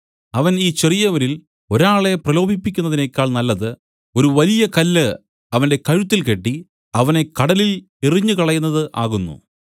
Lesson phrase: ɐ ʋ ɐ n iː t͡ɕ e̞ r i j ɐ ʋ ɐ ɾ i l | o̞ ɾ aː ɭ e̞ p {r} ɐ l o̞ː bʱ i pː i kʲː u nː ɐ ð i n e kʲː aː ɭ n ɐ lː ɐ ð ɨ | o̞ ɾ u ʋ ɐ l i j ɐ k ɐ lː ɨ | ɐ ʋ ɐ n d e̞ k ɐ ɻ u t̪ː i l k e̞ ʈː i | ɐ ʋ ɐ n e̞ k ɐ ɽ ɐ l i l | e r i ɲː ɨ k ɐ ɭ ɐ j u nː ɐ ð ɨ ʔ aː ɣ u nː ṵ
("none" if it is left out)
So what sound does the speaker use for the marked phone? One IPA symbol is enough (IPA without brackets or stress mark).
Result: r